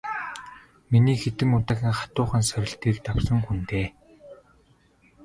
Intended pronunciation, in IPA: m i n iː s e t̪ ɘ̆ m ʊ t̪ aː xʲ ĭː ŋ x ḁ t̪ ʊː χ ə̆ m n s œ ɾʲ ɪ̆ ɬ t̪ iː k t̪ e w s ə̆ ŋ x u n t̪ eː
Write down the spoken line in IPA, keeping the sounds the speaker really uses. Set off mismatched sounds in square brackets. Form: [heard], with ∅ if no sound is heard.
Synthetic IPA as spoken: m i n iː [x] e t̪ ɘ̆ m ʊ t̪ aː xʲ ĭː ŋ [χ] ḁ t̪ ʊː χ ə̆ [∅] n s œ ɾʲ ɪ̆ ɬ t̪ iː k t̪ [a] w s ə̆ ŋ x u n t̪ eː